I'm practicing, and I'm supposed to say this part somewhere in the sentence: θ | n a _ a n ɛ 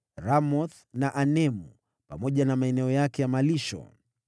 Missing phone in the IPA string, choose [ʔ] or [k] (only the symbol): ʔ